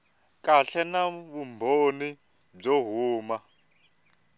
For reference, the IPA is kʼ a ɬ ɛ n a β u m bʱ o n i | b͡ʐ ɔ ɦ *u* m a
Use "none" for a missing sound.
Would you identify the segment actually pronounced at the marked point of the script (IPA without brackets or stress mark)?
uː